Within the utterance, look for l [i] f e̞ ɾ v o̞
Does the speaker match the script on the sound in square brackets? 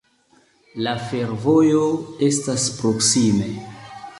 no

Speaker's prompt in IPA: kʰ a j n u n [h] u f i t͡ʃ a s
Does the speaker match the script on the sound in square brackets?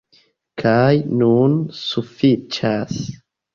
no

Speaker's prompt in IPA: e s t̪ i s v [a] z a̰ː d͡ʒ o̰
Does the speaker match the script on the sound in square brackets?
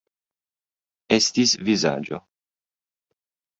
no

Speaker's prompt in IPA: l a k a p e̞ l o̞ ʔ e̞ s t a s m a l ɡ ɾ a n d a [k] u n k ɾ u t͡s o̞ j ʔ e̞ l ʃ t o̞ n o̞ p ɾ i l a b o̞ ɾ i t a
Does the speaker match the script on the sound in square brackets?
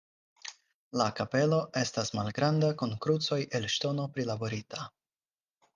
yes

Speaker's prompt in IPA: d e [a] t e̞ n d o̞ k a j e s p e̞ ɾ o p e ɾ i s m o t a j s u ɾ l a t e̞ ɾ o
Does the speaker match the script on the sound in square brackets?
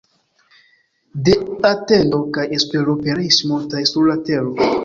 yes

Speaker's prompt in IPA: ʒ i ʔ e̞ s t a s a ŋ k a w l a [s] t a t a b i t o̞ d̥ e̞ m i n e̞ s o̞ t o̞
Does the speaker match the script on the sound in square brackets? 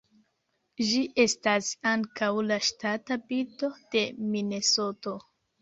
no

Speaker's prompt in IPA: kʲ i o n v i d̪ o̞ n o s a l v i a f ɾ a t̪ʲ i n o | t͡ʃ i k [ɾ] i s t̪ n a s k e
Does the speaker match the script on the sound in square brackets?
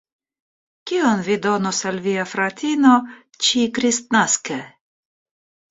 yes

